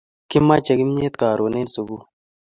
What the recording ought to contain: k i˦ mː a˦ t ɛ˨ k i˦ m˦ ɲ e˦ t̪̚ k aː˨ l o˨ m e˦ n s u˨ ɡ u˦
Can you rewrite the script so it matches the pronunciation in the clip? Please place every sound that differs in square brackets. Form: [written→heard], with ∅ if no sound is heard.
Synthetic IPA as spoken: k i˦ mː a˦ [t→t͡ʃ] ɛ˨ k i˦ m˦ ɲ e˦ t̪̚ k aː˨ [l→ɾ] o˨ [m→n] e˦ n s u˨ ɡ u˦